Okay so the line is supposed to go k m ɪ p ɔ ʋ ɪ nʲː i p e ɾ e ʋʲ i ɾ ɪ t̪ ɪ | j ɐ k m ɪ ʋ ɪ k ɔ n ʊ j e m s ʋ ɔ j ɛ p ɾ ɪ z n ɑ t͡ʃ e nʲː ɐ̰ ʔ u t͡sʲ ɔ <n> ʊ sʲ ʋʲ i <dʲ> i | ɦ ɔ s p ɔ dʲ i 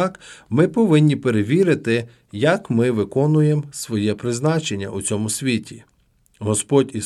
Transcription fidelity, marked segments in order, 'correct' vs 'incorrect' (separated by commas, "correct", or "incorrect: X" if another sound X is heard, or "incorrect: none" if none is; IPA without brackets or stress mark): incorrect: m, incorrect: tʲ